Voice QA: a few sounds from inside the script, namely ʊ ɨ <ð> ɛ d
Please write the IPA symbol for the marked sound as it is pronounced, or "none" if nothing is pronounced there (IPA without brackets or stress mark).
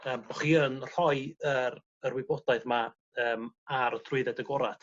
ð